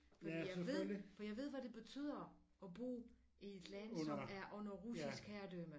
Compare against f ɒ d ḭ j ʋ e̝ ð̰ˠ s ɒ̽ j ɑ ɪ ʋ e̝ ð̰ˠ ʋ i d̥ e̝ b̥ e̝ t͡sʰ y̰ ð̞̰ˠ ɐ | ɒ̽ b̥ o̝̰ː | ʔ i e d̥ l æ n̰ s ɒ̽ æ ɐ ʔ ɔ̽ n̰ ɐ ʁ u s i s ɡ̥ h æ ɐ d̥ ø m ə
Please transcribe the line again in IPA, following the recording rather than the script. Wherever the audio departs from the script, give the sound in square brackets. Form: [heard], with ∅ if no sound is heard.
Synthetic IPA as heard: f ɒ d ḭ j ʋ e̝ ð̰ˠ [f] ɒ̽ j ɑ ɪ ʋ e̝ ð̰ˠ ʋ [æ] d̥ e̝ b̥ e̝ t͡sʰ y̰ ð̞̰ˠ ɐ | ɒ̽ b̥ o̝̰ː | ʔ i e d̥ l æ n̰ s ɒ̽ æ ɐ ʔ ɔ̽ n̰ ɐ ʁ u s i s ɡ̥ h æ ɐ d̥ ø m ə

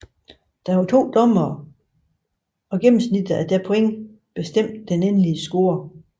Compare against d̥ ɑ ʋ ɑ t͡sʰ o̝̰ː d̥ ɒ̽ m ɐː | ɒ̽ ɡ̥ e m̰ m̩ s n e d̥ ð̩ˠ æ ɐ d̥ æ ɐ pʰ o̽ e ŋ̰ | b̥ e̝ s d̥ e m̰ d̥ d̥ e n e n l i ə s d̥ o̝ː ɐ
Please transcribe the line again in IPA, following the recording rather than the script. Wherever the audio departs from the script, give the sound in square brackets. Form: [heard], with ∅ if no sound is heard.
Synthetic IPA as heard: d̥ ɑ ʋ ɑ t͡sʰ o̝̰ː d̥ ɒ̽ m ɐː | ɒ̽ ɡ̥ e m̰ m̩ s n [i] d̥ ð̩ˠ æ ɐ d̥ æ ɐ pʰ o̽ e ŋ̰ | b̥ e̝ s d̥ e m̰ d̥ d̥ e n e n l i ə s [ɡ̥] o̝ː ɐ

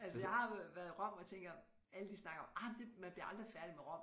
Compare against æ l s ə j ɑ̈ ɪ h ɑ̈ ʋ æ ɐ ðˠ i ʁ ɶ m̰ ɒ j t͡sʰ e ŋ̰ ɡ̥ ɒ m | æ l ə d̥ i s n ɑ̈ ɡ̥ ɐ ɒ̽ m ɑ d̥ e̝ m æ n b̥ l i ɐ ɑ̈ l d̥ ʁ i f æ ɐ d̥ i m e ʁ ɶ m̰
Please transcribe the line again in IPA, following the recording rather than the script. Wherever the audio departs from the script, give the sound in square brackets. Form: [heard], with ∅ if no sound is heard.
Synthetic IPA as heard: æ l s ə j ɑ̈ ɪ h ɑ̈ ʋ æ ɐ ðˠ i ʁ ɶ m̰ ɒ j t͡sʰ e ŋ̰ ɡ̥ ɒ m | æ l ə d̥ i s n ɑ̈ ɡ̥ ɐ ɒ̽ m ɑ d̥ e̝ m æ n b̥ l i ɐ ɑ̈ l d̥ ʁ i f æ ɐ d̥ i m e ʁ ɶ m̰

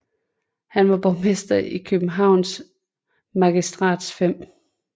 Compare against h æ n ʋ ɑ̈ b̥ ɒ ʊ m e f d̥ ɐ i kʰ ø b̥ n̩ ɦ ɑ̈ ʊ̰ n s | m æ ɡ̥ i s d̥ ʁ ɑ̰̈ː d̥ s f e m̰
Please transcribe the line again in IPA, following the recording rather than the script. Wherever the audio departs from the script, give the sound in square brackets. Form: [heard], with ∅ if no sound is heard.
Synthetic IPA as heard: h æ n ʋ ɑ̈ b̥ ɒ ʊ m e [s] d̥ ɐ i kʰ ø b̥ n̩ ɦ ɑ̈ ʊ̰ n s | m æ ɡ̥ i s d̥ ʁ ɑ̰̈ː d̥ s f e m̰

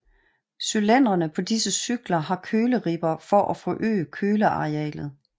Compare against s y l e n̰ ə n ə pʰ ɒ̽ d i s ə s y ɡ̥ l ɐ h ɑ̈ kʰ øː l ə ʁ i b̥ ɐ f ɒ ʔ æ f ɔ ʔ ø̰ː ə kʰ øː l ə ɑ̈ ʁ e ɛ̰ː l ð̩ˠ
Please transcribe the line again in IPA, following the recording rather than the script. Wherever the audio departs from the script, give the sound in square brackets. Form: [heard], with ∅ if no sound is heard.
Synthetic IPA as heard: s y l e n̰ [ɐ] n ə pʰ ɒ̽ d i s ə s y ɡ̥ l ɐ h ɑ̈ kʰ øː l ə ʁ i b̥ ɐ f ɒ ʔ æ f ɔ ʔ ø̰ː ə kʰ øː l ə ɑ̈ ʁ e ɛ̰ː l ð̩ˠ

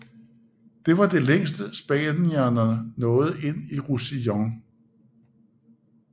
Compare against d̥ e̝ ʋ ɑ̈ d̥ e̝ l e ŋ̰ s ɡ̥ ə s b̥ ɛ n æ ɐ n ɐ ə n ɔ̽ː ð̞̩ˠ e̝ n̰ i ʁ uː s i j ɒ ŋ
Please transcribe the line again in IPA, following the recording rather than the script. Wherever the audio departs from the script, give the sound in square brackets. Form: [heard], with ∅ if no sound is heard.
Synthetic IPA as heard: d̥ e̝ ʋ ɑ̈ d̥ e̝ l e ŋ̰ s [d̥] ə s b̥ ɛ n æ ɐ n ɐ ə n ɔ̽ː ð̞̩ˠ e̝ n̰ i ʁ [u] s i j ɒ ŋ

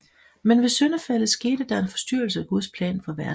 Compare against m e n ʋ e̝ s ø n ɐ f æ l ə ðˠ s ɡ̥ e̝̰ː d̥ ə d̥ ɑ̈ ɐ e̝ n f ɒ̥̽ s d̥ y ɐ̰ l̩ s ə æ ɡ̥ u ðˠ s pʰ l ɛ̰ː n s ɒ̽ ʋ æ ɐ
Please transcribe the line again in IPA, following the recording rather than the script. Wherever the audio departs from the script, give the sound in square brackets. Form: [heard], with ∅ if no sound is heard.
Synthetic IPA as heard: m e n ʋ e̝ s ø n ɐ f æ l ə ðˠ s ɡ̥ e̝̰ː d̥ ə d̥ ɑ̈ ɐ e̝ n f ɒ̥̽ s d̥ y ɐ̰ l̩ s ə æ ɡ̥ u ðˠ s pʰ l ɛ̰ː n [f] ɒ̽ ʋ æ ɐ

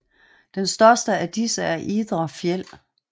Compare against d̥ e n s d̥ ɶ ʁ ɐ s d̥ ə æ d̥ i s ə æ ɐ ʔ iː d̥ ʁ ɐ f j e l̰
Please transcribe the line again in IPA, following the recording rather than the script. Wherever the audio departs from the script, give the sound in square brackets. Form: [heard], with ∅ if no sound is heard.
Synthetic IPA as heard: d̥ e n s d̥ ɶ [∅] ɐ s d̥ ə æ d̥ i s ə æ ɐ ʔ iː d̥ ʁ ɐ f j e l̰

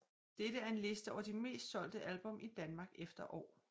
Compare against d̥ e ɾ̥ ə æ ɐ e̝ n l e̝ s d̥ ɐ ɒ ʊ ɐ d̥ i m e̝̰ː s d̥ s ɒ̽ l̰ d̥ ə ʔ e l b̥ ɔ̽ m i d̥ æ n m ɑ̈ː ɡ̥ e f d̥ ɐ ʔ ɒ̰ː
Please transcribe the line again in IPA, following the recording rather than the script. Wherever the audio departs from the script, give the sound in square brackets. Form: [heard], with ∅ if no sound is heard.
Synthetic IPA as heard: d̥ e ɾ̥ ə æ ɐ e̝ n l e̝ s d̥ [ə] ɒ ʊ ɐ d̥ i m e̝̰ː s d̥ s ɒ̽ l̰ d̥ ə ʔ [æ] l b̥ ɔ̽ m i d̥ æ n m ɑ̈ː ɡ̥ e f d̥ ɐ ʔ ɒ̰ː

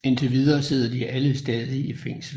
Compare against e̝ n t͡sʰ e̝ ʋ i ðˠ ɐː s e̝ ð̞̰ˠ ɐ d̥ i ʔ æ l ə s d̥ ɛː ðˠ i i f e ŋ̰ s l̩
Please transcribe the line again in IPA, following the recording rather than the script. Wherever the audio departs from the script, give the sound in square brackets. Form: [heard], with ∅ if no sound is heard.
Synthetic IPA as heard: e̝ n t͡sʰ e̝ ʋ i ðˠ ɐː s e̝ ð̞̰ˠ ɐ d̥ i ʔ æ l ə s d̥ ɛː ðˠ i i f e ŋ̰ s l̩

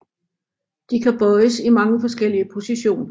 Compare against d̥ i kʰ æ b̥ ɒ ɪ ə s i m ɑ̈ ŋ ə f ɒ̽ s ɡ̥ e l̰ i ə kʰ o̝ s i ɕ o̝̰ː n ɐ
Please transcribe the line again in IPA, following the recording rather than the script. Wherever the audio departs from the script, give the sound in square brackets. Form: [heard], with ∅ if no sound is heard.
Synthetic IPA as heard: d̥ i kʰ æ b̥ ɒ ɪ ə s i m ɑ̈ ŋ ə f ɒ̽ s ɡ̥ e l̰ i ə [pʰ] o̝ s i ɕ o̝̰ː n ɐ

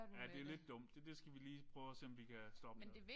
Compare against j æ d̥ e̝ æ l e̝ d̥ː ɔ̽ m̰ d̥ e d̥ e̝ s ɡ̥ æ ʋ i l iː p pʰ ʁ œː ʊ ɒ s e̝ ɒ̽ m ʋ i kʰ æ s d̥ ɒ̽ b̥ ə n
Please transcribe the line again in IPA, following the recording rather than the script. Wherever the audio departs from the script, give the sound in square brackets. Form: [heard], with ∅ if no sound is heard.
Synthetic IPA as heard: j æ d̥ e̝ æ l e̝ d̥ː ɔ̽ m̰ d̥ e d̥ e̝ s ɡ̥ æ ʋ i l iː p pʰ ʁ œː ʊ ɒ s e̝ ɒ̽ m ʋ i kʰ æ s d̥ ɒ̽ b̥ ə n

